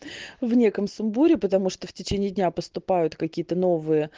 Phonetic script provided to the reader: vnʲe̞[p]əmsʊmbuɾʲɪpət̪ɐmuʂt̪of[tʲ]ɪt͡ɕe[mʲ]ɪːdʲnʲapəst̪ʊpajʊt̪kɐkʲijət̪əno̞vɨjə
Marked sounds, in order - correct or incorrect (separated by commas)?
incorrect, correct, incorrect